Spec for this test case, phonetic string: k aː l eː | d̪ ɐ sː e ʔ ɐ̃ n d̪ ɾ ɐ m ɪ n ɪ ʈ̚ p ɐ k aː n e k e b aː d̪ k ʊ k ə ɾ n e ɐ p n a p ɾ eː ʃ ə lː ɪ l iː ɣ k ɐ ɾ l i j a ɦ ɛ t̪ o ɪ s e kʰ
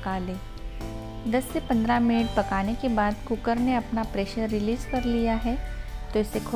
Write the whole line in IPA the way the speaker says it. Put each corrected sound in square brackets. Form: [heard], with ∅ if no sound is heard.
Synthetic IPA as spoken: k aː l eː | d̪ ɐ sː e [p] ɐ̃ n d̪ ɾ [a] m ɪ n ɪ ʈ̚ p ɐ k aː n e k e b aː d̪ k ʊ k ə ɾ n e ɐ p n a p ɾ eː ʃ ə [ɾː] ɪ l iː [z] k ɐ ɾ l i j a ɦ ɛ t̪ o ɪ s e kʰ